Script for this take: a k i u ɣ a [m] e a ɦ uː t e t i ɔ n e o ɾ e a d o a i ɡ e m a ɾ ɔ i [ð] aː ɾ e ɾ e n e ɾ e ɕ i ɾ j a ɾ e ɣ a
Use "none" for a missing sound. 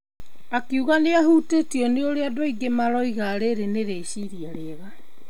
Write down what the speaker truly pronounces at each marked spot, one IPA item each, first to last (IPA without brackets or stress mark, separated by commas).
n, ɣ